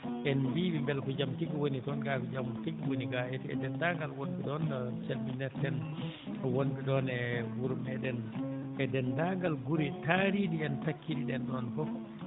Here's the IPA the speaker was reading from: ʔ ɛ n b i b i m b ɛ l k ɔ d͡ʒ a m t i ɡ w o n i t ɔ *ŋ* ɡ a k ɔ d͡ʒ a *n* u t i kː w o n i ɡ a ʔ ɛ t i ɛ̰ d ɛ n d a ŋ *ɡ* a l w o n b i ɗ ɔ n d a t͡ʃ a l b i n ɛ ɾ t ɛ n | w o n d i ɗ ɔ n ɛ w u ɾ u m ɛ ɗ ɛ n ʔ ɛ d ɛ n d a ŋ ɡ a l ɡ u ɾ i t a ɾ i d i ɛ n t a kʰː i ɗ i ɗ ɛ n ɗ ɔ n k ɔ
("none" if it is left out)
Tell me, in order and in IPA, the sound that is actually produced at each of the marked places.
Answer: n, m, ɡ

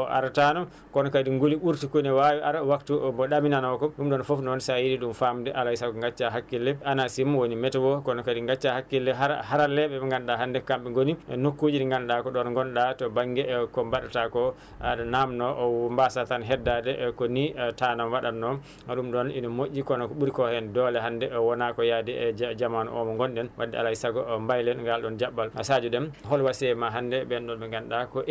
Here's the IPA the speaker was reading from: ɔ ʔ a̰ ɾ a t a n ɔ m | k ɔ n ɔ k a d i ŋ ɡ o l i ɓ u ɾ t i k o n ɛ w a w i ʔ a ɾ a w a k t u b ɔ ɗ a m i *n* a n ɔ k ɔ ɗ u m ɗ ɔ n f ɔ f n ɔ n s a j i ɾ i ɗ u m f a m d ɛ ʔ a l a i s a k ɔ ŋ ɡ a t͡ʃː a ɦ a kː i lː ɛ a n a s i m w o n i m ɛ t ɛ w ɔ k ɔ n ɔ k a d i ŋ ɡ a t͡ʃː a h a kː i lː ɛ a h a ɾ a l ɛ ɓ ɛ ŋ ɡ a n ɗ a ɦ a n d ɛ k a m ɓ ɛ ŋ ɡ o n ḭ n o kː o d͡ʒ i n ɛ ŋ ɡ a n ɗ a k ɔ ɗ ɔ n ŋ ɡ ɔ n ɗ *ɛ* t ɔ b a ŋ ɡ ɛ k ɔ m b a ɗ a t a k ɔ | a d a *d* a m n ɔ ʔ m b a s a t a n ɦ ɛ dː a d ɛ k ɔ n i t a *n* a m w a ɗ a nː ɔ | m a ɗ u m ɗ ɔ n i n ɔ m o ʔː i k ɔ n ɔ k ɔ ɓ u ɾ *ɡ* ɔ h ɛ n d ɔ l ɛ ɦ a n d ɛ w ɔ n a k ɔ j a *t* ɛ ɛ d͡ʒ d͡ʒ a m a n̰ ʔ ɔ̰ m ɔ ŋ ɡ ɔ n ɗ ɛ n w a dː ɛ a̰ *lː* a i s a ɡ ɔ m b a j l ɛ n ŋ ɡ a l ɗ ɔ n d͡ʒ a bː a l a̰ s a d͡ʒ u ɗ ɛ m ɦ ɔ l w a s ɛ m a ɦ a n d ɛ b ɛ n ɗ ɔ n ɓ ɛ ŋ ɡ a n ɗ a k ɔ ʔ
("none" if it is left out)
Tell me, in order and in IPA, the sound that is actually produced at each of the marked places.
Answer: n, a, n, n, k, d, l

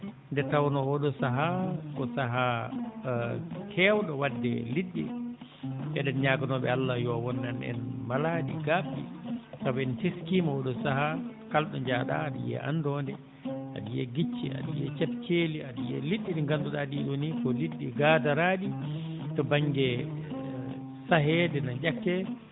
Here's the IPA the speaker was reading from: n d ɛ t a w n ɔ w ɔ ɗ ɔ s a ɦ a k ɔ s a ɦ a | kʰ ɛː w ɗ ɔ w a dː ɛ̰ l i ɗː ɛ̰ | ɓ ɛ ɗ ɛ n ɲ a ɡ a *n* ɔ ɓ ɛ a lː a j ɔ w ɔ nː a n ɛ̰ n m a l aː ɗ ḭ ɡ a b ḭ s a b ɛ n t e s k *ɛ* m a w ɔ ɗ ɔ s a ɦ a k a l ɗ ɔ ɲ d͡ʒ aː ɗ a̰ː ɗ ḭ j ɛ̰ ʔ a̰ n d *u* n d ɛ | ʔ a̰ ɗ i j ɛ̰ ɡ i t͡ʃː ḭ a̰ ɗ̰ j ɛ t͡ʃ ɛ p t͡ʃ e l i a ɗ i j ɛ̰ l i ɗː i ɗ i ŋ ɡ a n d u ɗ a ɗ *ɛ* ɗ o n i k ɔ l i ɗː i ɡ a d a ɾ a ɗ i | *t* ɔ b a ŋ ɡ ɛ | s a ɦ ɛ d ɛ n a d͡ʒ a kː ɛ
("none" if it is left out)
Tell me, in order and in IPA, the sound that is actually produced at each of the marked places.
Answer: n, i, ɔ, i, t

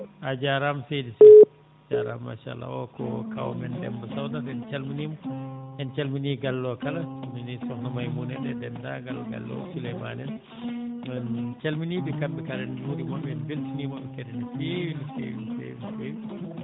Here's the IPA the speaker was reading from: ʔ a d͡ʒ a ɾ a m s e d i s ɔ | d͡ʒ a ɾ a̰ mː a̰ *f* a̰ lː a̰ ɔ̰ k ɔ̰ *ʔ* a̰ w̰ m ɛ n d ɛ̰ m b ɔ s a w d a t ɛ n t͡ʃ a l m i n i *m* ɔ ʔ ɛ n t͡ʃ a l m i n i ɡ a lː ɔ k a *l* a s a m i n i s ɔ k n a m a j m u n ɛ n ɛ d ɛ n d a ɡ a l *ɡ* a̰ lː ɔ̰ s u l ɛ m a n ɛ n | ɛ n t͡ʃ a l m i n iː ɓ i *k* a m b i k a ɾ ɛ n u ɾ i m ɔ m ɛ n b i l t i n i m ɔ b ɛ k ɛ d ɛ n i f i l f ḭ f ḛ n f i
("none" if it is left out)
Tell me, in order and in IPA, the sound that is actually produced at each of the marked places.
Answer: ʃ, k, m, l, ɡ, k

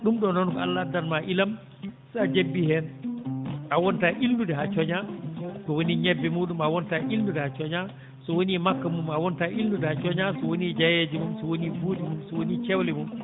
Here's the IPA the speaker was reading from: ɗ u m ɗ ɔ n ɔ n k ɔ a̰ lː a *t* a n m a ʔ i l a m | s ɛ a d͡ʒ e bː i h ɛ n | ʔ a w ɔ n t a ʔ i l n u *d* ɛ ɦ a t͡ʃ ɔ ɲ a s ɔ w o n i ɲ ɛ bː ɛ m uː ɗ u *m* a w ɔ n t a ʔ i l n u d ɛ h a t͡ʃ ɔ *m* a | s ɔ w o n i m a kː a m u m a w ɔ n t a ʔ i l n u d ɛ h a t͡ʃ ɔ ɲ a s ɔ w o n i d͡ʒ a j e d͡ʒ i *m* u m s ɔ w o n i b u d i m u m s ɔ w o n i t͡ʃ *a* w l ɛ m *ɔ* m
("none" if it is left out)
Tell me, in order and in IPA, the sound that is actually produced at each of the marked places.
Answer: d, d, m, ɲ, m, ɛ, u

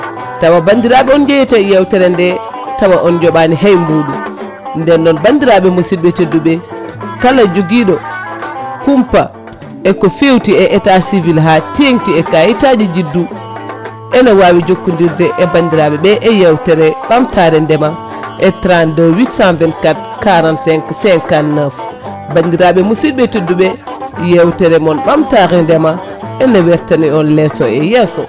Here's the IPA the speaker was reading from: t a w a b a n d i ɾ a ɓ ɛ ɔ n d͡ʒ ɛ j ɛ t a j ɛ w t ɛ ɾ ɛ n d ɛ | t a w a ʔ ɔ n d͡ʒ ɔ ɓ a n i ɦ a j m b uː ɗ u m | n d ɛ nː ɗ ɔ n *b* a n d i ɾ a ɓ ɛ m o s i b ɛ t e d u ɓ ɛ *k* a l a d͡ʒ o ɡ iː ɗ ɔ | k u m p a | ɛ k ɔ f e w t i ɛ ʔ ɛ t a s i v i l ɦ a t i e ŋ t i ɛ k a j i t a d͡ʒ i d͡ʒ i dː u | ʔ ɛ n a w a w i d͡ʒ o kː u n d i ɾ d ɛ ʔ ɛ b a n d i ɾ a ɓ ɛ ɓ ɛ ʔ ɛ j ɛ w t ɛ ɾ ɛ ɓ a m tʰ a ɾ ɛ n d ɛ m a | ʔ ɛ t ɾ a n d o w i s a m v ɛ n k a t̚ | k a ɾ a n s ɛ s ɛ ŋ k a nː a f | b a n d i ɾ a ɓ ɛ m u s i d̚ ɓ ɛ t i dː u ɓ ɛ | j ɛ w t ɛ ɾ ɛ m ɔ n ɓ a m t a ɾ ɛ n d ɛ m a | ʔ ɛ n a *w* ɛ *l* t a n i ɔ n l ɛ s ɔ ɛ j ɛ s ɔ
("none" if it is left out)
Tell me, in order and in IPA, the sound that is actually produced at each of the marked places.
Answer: b, k, w, ɾ

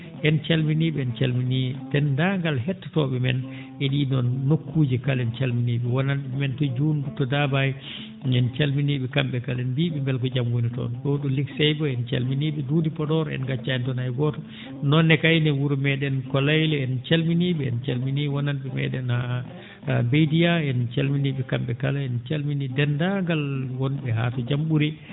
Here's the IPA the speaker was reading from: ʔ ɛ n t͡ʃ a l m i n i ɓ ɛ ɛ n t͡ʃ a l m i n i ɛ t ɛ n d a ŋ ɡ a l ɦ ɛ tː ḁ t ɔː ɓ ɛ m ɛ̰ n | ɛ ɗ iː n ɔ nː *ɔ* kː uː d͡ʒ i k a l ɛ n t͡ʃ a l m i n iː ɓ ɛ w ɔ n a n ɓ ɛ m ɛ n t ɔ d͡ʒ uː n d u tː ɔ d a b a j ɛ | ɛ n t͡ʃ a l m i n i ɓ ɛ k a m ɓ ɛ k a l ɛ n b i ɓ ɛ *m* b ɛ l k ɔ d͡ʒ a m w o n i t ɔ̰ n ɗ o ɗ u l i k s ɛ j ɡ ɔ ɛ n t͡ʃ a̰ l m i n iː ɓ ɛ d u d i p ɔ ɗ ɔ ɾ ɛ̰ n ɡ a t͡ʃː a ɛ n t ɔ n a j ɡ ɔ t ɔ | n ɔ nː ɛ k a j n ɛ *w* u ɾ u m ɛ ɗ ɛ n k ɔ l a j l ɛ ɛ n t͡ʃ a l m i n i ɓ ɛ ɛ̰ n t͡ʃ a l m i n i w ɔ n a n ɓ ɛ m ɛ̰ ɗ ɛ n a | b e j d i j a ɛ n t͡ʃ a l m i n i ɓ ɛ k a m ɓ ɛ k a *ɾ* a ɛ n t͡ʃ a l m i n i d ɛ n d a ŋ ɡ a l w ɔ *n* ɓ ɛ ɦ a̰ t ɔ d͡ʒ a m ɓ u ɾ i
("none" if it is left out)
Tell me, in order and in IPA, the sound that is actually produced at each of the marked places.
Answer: o, m, w, l, n

